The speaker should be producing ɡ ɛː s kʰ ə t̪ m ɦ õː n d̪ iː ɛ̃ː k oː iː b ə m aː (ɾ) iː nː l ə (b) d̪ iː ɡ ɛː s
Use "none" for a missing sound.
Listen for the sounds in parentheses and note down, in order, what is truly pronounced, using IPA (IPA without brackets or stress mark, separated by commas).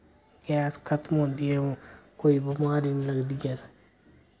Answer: ɾ, ɡ